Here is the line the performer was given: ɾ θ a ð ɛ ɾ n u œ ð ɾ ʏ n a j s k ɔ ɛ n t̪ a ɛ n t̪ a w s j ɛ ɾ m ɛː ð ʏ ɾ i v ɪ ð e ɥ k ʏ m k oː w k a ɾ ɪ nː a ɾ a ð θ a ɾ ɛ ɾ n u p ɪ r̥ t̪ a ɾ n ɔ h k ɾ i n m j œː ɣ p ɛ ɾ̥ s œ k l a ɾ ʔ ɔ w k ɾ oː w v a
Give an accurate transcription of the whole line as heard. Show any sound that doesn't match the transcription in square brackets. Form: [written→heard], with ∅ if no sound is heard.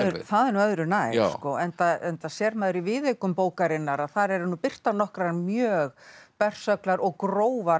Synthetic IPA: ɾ θ a ð ɛ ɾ n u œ ð ɾ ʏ n a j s k ɔ ɛ n t̪ a ɛ n t̪ a [w→∅] s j ɛ ɾ m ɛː ð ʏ ɾ i v ɪ ð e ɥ k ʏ m [k→p] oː w k a ɾ ɪ nː a ɾ a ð θ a ɾ ɛ ɾ n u p ɪ r̥ t̪ a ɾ n ɔ h k ɾ [i→a] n m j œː ɣ p ɛ [ɾ̥→r̥] s œ k l a ɾ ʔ ɔ [w→ɣ] k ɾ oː w v a

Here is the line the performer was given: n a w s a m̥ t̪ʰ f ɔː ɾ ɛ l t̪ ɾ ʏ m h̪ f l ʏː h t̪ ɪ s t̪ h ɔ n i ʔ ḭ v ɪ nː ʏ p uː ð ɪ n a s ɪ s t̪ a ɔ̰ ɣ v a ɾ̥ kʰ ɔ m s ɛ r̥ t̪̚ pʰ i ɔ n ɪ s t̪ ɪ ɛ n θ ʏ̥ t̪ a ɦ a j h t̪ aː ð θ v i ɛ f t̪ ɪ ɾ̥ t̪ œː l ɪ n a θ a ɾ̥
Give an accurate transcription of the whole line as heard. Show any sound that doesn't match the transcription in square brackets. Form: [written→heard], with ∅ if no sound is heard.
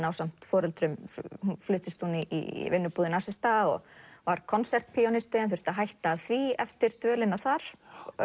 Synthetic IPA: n a w s a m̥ [t̪ʰ→t̪] f ɔː ɾ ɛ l t̪ ɾ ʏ m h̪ f l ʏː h t̪ ɪ s t̪ h [ɔ→u] n i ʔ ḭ v ɪ nː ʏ p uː ð ɪ n a s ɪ s t̪ a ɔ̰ ɣ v a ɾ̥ kʰ ɔ [m→n] s ɛ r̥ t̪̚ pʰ i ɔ n ɪ s t̪ ɪ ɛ n θ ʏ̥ t̪ a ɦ a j h t̪ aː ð θ v i ɛ f t̪ ɪ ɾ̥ t̪ œː l ɪ n a θ a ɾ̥

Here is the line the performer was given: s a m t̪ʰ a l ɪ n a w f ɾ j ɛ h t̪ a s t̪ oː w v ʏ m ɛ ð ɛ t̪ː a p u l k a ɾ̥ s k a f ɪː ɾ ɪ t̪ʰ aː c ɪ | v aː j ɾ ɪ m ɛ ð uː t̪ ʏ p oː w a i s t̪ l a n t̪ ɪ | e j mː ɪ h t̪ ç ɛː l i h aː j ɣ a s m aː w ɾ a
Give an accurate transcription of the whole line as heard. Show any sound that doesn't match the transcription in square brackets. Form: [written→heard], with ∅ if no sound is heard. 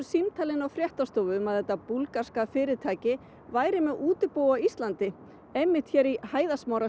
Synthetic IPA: s [a→i] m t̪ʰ a l ɪ n a w f ɾ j ɛ h t̪ a s t̪ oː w v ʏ m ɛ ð ɛ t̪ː a p u l k a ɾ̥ s k a f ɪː ɾ ɪ t̪ʰ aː c ɪ | v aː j ɾ ɪ m ɛ ð uː t̪ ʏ p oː w a i s t̪ l a n t̪ ɪ | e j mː ɪ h t̪ ç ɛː [l→ɾ] i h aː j [ɣ→ð] a s m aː w ɾ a

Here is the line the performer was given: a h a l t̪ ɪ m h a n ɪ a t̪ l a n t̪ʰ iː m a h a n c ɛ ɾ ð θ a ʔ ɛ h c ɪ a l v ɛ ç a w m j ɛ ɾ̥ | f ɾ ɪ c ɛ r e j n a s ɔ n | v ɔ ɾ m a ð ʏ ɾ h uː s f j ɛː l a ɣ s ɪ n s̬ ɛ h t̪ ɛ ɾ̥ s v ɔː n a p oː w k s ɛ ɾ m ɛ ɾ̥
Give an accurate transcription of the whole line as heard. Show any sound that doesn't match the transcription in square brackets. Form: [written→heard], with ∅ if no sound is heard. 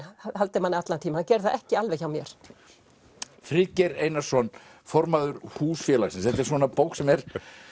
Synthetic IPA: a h a l t̪ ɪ m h a n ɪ a t̪ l a n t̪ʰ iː m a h a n c ɛ ɾ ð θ a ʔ ɛ h c ɪ a l v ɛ ç a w m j ɛ ɾ̥ | f ɾ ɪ c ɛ [r→ɾ] e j n a s ɔ n | [v→f] ɔ ɾ m a ð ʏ ɾ h uː s f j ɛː l a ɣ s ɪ n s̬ ɛ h t̪ ɛ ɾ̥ s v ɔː n a p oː w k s ɛ [ɾ→∅] m ɛ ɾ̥

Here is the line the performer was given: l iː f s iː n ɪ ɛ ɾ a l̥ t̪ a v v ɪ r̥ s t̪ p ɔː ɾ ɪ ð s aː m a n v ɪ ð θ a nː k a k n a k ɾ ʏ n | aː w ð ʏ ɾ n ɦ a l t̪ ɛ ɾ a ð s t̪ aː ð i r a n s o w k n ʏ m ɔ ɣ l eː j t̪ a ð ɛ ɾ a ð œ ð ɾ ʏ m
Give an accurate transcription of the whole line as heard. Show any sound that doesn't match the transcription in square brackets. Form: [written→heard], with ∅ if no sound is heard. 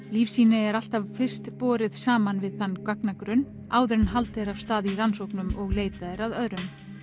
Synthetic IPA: l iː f s iː n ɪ ɛ ɾ a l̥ t̪ a v [v→f] ɪ r̥ s t̪ p ɔː ɾ ɪ ð s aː m a n v ɪ ð θ a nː k a k n a k ɾ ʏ n | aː w ð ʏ ɾ n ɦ a l t̪ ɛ ɾ a [ð→v] s t̪ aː ð i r a n s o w k n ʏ m ɔ ɣ l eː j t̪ a ð ɛ ɾ a ð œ ð ɾ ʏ m

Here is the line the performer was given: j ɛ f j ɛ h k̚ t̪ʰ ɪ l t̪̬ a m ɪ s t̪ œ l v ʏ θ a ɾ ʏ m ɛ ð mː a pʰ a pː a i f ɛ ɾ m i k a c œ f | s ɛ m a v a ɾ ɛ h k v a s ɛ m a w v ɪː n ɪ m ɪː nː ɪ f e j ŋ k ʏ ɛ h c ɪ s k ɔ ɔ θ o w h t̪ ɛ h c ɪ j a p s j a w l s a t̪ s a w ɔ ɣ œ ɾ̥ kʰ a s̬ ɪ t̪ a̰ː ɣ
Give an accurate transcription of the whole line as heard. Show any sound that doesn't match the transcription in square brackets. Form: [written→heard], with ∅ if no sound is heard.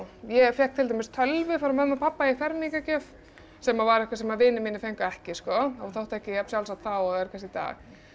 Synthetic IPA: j ɛ f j ɛ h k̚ t̪ʰ ɪ l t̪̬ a m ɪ s [t̪→t̪ʰ] œ l v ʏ [θ→f] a ɾ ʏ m ɛ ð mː a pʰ a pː a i f ɛ ɾ m i k a c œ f | s ɛ m a v a ɾ ɛ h k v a s ɛ m a [w→∅] v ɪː n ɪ m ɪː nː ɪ f e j ŋ k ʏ ɛ h c ɪ s k ɔ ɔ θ o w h t̪ ɛ h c ɪ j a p s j a w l s a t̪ [s→θ] a w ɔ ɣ [œ→ɛ] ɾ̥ kʰ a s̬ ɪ t̪ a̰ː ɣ

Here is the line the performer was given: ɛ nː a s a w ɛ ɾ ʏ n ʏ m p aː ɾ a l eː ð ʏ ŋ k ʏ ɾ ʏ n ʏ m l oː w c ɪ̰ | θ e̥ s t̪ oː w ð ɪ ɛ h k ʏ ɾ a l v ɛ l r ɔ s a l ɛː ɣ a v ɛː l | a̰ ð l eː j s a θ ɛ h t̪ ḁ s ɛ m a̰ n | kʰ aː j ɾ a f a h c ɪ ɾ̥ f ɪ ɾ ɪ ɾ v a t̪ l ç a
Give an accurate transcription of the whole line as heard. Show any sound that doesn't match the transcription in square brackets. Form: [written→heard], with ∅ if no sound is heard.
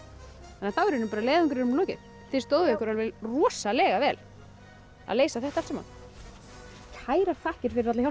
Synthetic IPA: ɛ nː a [s→θ] a w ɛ ɾ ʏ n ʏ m p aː ɾ a l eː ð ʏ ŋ k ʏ ɾ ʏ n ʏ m l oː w c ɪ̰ | θ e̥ s t̪ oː w ð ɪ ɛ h k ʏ ɾ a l v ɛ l r ɔ s a l ɛː ɣ a v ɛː l | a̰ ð l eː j s a θ ɛ h t̪ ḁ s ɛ m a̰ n | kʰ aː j ɾ a f a h c ɪ ɾ̥ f ɪ ɾ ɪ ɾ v a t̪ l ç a

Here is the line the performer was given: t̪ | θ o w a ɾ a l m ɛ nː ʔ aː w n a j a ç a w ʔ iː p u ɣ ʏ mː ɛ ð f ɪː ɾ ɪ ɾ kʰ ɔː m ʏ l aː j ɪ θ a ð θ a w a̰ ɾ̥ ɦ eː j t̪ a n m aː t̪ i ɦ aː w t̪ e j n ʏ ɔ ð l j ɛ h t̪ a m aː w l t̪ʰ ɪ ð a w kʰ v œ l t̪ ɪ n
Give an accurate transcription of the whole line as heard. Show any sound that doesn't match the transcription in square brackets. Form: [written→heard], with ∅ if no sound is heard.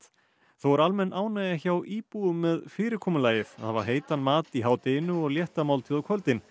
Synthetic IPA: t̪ | θ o w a ɾ a l m ɛ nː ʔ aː w n a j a ç a w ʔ iː p u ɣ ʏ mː ɛ ð f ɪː ɾ ɪ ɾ kʰ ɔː m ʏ l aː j ɪ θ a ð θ a [w→v] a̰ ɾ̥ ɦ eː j t̪ a n m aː t̪ i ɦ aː w t̪ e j n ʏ ɔ [ð→ɣ] l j ɛ h t̪ a m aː w l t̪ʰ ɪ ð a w kʰ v œ l t̪ ɪ n

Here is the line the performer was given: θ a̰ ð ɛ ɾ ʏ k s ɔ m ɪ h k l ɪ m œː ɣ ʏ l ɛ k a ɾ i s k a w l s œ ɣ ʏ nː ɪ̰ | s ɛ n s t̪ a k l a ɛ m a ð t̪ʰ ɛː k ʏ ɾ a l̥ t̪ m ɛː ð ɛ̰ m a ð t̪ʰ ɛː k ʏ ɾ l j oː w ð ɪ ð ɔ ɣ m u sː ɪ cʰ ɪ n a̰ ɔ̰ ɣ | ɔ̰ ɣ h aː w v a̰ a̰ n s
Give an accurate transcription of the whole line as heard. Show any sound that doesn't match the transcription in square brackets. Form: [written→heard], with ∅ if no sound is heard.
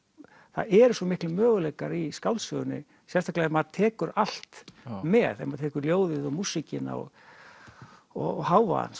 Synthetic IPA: θ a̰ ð ɛ ɾ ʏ [k→∅] s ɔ m ɪ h k l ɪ m œː ɣ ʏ l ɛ k a ɾ i s k a w l s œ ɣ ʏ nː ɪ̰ | s ɛ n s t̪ a k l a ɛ m a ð t̪ʰ ɛː k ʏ ɾ a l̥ t̪ m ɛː ð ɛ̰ m a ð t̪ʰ ɛː k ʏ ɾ l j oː w ð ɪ ð ɔ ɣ m u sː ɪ [cʰ→c] ɪ n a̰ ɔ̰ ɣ | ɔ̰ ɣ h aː w v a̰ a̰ n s

